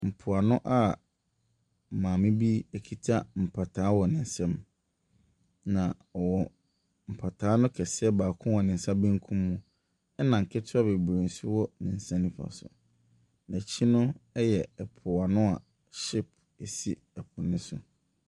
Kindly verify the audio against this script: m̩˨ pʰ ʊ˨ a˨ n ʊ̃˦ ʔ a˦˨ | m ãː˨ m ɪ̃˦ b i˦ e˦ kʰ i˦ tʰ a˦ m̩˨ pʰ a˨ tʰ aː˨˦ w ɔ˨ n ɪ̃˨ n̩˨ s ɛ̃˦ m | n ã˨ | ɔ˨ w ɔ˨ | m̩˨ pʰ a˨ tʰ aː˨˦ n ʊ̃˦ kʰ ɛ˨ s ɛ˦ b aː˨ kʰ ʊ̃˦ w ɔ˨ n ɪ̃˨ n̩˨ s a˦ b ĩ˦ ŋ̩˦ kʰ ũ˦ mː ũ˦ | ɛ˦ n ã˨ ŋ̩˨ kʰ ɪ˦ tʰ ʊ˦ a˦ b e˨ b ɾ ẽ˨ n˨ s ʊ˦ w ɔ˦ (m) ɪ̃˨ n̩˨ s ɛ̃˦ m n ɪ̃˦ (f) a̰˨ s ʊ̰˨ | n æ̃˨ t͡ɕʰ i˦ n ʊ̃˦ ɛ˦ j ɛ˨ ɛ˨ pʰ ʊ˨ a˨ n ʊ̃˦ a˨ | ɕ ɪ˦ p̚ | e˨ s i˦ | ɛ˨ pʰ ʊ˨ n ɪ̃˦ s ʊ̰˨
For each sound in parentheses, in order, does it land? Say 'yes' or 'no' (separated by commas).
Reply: no, yes